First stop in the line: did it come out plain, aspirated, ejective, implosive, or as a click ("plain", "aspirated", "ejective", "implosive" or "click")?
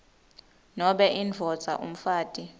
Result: implosive